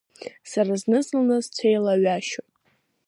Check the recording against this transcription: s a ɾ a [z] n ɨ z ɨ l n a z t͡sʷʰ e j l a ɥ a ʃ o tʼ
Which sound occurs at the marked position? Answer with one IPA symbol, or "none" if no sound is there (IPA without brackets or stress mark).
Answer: z